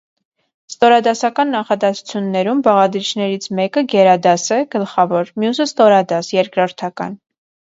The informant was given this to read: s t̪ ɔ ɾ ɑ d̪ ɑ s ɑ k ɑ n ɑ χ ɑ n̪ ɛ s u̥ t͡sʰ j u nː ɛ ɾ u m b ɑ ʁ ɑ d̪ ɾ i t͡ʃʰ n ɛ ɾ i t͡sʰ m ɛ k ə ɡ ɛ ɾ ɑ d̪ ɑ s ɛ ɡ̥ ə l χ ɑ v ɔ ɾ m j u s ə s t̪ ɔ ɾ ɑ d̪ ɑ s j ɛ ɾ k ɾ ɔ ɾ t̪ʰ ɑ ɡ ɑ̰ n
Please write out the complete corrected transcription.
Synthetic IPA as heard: s t̪ ɔ ɾ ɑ d̪ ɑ s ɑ k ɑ nː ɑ χ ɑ d̪ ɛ s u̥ t͡sʰ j u nː ɛ ɾ u m b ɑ ʁ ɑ d̪ ɾ i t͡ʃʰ n ɛ ɾ i t͡sʰ m ɛ k ə ɡ ɛ ɾ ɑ d̪ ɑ s ɛ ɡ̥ ə l χ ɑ v ɔ ɾ m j u s ə s t̪ ɔ ɾ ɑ d̪ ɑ s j ɛ ɾ k ɾ ɔ ɾ t̪ʰ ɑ k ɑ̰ n